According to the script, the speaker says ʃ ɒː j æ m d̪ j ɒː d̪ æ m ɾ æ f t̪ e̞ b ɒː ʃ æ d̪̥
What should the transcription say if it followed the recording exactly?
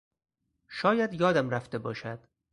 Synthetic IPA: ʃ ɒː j æ d̪ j ɒː d̪ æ m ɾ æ f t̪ e̞ b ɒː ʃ æ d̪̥